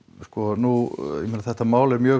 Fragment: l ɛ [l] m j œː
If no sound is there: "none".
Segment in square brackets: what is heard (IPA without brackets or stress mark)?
ɾ